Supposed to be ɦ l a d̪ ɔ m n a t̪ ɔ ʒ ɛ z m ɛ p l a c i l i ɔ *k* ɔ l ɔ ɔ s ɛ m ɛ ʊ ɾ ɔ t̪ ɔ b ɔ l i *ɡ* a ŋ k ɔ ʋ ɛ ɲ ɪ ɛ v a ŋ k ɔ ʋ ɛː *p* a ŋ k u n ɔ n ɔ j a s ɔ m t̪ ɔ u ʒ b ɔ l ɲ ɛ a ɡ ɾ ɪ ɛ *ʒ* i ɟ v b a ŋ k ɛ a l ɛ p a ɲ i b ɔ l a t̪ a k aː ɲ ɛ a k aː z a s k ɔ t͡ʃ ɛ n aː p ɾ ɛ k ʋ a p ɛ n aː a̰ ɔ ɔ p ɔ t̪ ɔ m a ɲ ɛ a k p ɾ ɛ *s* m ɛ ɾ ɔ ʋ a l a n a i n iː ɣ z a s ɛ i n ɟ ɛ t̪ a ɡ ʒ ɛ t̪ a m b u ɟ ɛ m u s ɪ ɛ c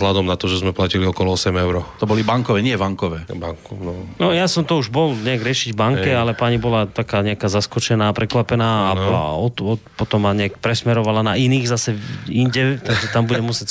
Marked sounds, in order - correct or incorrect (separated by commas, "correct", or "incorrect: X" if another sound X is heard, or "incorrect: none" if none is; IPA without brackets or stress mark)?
correct, incorrect: b, incorrect: b, incorrect: ʃ, correct